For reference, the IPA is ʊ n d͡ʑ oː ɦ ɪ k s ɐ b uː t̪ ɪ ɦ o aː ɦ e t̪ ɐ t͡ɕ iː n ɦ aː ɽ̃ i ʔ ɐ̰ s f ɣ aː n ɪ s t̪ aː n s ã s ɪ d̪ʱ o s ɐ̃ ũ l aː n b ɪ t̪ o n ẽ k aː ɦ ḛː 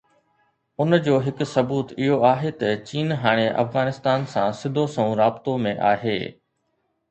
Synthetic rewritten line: ʊ n d͡ʑ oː ɦ ɪ k s ɐ b uː t̪ ɪ ɦ o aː ɦ e t̪ ɐ t͡ɕ iː n ɦ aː ɽ̃ e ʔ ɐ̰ f ɣ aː n ɪ s t̪ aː n s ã s ɪ d̪ʱ o s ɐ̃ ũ ɾ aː b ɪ t̪ o m ẽ ʔ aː ɦ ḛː